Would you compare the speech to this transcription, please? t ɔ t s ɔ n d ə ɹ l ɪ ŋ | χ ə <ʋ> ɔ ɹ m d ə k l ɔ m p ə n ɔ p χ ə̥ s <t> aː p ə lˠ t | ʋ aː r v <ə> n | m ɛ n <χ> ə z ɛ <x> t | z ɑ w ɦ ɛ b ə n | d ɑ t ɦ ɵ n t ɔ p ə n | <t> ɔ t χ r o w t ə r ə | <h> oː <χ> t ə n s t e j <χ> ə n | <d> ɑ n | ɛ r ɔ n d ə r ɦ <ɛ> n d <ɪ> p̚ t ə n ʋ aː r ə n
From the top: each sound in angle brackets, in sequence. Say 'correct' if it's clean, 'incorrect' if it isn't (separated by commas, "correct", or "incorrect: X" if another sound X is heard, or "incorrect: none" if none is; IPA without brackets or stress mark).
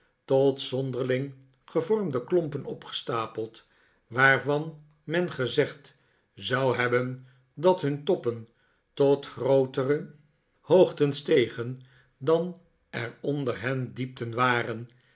incorrect: v, correct, incorrect: ɑ, correct, incorrect: χ, correct, correct, correct, correct, correct, correct, incorrect: i